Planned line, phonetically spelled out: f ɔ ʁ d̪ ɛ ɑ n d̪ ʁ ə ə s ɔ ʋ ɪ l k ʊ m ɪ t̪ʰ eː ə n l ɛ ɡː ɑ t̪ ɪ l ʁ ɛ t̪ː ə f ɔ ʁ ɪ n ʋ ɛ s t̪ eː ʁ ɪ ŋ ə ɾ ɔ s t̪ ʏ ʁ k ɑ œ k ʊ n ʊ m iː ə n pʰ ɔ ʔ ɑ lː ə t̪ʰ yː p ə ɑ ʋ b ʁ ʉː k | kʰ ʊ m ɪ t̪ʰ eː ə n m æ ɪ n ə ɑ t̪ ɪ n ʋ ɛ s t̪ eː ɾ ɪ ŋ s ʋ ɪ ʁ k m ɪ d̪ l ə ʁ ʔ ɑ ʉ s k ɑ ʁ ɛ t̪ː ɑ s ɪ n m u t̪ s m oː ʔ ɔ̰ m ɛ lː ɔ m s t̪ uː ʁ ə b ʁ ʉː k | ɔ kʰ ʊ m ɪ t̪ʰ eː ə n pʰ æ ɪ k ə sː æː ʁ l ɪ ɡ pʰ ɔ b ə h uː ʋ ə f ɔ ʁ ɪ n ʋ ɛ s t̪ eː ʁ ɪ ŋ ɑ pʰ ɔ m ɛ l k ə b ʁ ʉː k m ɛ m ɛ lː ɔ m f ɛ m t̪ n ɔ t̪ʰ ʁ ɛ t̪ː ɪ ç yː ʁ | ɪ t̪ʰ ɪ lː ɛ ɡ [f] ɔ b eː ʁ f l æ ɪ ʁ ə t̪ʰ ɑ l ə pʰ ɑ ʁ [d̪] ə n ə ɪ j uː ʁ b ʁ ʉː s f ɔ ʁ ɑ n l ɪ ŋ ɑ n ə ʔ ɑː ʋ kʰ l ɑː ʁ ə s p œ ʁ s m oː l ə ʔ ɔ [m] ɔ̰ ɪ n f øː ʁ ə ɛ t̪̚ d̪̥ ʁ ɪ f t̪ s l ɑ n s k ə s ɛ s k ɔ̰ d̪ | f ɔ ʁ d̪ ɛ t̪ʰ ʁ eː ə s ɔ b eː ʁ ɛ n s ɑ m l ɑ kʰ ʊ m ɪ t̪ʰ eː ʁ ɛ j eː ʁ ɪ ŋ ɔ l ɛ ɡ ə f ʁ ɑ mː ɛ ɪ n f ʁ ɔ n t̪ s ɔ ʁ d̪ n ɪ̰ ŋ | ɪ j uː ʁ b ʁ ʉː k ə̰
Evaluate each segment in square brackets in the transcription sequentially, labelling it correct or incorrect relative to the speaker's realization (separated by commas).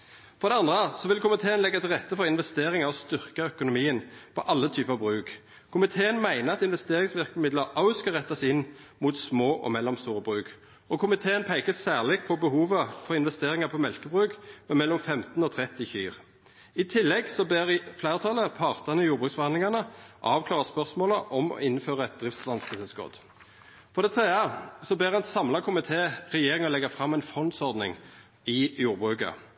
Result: incorrect, incorrect, correct